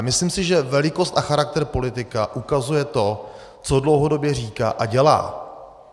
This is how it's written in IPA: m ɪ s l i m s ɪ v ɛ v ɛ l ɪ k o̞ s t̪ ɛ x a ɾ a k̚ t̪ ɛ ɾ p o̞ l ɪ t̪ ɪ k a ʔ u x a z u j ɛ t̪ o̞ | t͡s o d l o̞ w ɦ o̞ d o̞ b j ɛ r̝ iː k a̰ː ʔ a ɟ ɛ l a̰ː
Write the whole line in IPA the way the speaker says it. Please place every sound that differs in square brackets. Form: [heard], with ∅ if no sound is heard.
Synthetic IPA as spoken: m ɪ s l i m s ɪ [ʒ] ɛ v ɛ l ɪ k o̞ s t̪ [a] x a ɾ a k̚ t̪ ɛ ɾ p o̞ l ɪ t̪ ɪ k a ʔ u [k] a z u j ɛ t̪ o̞ | t͡s o d l o̞ w ɦ o̞ d o̞ b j ɛ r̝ iː k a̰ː ʔ a ɟ ɛ l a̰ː